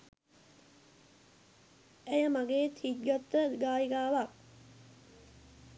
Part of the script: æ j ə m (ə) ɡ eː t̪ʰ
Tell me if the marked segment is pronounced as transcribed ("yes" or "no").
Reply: no